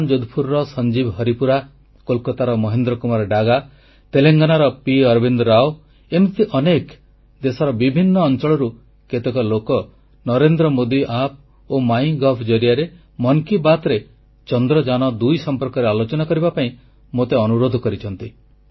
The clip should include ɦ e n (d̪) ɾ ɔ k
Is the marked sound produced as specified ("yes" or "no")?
yes